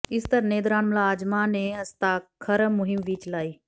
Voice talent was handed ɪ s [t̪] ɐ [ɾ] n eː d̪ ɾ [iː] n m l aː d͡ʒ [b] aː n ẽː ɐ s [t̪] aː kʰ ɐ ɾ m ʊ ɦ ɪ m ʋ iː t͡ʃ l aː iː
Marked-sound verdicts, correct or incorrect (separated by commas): correct, correct, incorrect, incorrect, correct